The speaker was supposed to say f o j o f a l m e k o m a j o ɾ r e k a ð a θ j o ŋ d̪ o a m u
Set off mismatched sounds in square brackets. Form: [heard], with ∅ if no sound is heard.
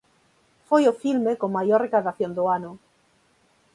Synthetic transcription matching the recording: f o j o f [i] l m e k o m a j o ɾ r e k a ð a θ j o [n] d̪ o a [n] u

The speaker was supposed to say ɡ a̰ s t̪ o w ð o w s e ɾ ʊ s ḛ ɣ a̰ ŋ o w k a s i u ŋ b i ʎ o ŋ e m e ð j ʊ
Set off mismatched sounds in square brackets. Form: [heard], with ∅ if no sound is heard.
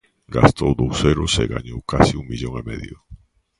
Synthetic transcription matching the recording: ɡ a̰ s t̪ o w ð o w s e ɾ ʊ s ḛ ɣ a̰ [ɲ] o w k a s i u ŋ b i ʎ o ŋ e m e ð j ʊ

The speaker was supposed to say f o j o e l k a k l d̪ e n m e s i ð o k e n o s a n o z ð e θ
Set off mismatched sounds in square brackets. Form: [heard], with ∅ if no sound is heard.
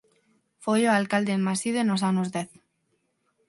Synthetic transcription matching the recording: f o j o [a] l k a [∅] l d̪ e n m [a] s i ð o [∅] e n o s a n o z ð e θ

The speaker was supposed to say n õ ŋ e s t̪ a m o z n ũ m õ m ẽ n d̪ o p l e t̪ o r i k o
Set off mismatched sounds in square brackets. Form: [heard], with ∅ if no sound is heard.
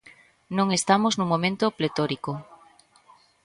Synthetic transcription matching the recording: n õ ŋ e s t̪ a m o z n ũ m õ m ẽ n [t̪] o p l e t̪ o [ɾ] i k o

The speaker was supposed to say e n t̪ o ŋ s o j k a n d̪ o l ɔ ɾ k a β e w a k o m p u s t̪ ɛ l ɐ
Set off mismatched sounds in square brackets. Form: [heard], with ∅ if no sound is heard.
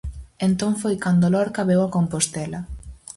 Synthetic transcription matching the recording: e n t̪ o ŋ [f] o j k a n d̪ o l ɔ ɾ k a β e w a k o m p [o] s t̪ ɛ l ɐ

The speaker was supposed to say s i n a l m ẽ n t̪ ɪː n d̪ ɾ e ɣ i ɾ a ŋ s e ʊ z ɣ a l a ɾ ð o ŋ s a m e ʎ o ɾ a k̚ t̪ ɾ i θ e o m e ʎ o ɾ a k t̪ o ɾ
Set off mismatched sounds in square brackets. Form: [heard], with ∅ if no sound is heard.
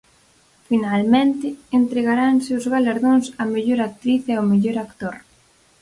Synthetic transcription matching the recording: [f] i n a l m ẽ n t̪ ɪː n [t̪] ɾ e ɣ [a] ɾ a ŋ s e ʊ z ɣ a l a ɾ ð o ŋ s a m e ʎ o ɾ a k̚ t̪ ɾ i θ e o m e ʎ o ɾ a k t̪ o ɾ

